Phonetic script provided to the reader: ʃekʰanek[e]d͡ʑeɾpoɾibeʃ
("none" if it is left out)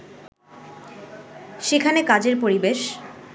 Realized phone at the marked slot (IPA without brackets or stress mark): a